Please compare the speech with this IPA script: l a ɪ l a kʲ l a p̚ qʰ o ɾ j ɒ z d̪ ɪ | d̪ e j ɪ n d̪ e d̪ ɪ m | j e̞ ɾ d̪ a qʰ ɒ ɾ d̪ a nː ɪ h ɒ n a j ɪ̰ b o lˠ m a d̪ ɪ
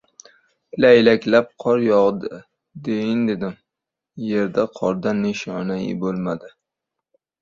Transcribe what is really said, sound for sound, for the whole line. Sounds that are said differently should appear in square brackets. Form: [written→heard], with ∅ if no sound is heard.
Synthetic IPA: l a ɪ l a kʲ l a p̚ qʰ [o→ɒ] ɾ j ɒ [z→ʁ] d̪ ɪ | d̪ e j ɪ n d̪ e d̪ ɪ m | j e̞ ɾ d̪ a qʰ ɒ ɾ d̪ a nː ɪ [h→ʃ] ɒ n a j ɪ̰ b o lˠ m a d̪ ɪ